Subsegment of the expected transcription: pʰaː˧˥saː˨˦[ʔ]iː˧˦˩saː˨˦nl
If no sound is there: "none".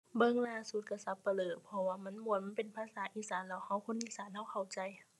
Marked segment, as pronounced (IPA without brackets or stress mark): ʔ